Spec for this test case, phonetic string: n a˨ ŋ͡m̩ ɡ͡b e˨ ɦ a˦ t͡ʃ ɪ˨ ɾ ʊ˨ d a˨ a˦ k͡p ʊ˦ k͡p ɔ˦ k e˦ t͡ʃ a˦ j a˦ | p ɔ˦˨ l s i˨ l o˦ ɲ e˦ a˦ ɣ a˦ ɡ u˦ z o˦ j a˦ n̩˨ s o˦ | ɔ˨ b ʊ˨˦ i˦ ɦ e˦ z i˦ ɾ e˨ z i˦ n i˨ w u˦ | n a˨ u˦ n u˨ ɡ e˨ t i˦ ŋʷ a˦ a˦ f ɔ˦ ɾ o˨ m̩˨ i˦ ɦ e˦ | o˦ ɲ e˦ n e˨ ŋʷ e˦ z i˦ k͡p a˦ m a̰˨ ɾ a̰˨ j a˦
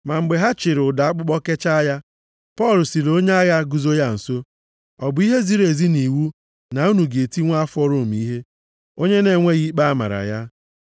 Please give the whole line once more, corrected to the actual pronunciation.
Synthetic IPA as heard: m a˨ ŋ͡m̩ ɡ͡b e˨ ɦ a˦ t͡ʃ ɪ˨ ɾ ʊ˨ d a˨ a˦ k͡p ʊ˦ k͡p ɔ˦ k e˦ t͡ʃ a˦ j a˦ | p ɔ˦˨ l s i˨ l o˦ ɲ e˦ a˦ ɣ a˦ ɡ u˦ z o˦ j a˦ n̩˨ s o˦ | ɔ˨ b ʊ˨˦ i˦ ɦ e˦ z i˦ ɾ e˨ z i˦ n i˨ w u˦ | n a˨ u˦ n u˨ ɡ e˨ t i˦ ŋʷ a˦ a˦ f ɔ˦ ɾ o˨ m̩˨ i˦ ɦ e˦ | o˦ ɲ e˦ n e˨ ŋʷ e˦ ɣ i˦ k͡p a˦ m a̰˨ ɾ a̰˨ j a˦